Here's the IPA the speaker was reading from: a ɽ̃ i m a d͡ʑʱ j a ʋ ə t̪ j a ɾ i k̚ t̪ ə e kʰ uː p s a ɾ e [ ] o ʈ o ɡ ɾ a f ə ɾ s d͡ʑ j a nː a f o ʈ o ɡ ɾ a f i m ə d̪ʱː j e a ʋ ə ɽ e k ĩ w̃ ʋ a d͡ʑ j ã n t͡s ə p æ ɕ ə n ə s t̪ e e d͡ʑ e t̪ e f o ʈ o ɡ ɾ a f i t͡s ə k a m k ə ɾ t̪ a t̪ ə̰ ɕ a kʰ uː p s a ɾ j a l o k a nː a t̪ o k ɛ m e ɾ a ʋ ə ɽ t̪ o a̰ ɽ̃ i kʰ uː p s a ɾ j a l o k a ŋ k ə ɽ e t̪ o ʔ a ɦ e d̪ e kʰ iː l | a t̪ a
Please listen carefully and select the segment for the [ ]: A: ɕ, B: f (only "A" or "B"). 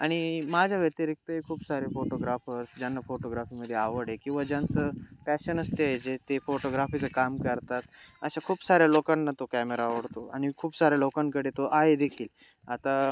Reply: B